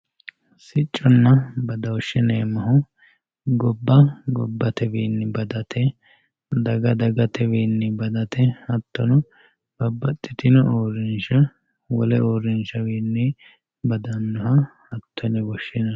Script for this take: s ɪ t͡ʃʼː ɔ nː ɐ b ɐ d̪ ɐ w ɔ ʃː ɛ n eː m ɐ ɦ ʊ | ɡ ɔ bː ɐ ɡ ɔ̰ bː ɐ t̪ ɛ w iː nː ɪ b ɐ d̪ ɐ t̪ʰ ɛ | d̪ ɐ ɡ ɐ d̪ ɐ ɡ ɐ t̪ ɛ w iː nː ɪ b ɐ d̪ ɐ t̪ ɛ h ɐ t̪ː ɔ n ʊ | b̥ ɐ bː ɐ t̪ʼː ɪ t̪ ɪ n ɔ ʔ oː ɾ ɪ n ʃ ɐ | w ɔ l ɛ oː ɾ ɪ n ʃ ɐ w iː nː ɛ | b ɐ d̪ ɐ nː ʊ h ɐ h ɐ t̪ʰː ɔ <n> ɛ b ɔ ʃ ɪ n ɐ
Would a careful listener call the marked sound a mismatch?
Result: no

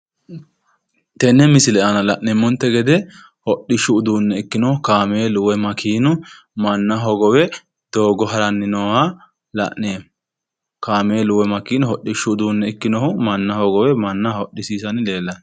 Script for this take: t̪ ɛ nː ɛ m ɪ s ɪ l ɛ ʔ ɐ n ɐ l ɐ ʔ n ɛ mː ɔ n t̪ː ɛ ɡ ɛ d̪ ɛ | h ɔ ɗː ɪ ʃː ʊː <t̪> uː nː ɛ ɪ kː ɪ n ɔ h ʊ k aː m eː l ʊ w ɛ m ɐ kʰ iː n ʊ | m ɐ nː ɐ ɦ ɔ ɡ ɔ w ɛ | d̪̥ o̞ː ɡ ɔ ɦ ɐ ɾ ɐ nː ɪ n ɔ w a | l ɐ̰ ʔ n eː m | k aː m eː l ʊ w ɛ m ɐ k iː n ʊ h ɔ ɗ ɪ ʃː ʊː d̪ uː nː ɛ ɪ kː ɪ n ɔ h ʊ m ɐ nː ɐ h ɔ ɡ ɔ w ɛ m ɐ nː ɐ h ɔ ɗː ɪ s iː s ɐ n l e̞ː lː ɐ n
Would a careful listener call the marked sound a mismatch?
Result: yes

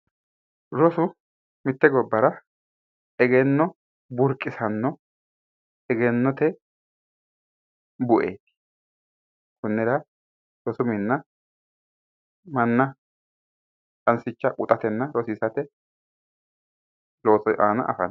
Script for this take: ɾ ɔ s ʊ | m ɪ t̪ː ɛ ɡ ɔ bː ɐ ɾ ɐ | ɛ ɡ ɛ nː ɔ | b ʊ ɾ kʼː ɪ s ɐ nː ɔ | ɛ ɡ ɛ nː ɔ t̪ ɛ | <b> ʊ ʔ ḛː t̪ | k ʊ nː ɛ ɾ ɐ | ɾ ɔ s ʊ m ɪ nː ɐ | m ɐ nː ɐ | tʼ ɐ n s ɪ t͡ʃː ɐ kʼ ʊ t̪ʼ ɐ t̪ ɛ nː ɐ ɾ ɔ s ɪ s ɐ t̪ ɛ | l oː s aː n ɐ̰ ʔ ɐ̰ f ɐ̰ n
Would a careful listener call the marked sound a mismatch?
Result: no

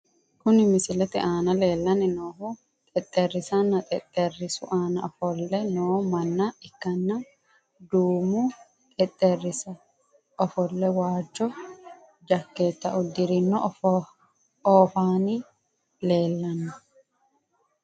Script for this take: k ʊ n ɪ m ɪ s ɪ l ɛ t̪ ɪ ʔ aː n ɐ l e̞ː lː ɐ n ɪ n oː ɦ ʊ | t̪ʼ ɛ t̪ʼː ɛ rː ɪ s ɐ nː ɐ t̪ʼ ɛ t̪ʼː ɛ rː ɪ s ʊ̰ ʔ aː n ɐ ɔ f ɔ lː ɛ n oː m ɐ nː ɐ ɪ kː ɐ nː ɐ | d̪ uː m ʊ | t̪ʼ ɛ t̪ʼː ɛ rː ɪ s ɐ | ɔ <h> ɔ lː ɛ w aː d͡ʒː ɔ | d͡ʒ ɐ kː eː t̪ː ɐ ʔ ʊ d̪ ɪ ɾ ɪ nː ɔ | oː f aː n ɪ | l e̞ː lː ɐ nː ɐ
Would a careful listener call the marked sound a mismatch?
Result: yes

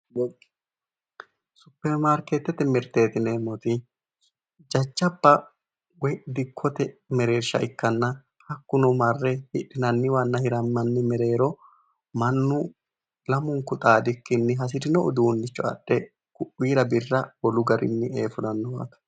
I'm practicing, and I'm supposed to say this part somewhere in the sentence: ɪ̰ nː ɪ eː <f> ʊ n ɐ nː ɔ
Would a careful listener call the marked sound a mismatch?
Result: no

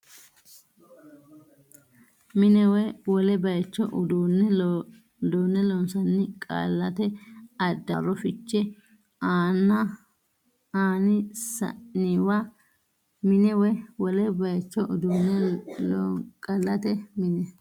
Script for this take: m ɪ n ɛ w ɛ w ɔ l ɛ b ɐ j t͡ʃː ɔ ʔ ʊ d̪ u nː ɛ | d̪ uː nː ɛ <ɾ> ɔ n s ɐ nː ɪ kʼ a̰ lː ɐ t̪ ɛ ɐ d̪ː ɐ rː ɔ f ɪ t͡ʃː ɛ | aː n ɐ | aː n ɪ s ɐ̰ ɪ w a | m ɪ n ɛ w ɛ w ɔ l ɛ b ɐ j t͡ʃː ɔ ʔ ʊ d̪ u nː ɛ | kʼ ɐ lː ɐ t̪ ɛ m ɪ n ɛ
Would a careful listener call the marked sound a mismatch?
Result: yes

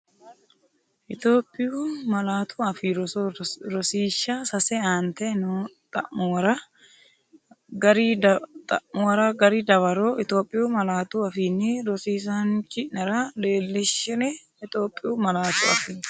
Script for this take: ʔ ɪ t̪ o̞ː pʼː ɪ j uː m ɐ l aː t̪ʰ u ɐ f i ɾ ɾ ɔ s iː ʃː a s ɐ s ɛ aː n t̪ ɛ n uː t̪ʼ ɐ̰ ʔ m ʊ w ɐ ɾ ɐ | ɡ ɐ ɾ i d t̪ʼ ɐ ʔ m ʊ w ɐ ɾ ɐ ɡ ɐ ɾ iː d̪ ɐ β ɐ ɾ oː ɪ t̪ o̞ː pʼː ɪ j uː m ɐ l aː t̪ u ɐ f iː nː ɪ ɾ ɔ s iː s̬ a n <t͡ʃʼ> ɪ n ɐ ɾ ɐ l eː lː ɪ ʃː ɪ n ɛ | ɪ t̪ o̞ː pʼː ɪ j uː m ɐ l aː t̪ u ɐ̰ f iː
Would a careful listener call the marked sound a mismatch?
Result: yes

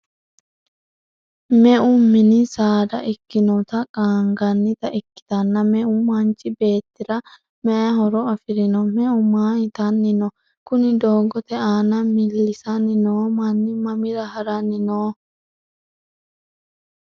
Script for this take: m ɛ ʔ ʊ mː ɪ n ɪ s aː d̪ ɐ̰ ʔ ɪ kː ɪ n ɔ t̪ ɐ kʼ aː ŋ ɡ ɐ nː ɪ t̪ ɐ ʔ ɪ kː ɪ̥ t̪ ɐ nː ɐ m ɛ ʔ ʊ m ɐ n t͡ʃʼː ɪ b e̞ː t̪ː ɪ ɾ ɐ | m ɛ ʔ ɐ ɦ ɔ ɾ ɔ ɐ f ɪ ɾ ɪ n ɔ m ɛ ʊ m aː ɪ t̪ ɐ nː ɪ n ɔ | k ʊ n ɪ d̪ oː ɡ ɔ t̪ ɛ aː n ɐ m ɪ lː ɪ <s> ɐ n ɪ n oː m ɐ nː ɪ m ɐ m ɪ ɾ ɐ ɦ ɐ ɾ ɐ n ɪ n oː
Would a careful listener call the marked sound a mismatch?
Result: no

